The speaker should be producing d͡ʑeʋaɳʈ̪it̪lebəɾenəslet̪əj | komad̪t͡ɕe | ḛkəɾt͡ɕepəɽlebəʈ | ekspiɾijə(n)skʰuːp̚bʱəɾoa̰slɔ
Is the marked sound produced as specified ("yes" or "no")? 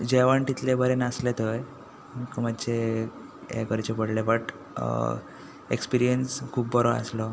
yes